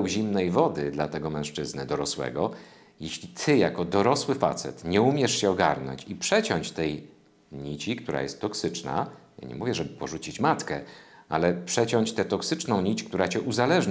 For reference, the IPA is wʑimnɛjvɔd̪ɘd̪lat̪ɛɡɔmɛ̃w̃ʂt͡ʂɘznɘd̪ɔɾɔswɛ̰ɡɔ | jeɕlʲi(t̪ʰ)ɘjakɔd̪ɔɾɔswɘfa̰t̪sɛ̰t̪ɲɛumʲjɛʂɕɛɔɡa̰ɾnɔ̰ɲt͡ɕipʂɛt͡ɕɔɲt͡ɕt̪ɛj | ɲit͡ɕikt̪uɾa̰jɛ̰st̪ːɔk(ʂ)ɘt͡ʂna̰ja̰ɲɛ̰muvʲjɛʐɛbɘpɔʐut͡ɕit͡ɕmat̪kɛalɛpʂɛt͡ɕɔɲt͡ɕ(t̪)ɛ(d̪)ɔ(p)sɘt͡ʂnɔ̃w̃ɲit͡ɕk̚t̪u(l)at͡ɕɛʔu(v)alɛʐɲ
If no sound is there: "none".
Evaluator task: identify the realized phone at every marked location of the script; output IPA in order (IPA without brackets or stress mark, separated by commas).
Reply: t̪ʰ, s, t̪, t̪, k, ɾ, z